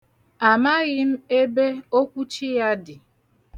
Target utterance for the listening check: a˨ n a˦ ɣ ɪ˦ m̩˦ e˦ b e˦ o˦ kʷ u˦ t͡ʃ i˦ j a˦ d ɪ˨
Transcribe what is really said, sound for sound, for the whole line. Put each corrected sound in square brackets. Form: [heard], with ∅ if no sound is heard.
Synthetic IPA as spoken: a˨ [m] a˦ ɣ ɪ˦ m̩˦ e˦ b e˦ o˦ kʷ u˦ t͡ʃ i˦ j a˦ d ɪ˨